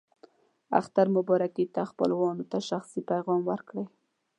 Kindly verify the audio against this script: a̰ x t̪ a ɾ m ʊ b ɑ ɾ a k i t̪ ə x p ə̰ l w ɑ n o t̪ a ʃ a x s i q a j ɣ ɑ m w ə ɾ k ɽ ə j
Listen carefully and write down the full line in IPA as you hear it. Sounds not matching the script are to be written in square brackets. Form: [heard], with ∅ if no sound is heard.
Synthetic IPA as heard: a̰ x t̪ a ɾ m ʊ b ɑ ɾ a k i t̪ [a] x p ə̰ l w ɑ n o t̪ a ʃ a x s i [p] a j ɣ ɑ m w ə ɾ k ɽ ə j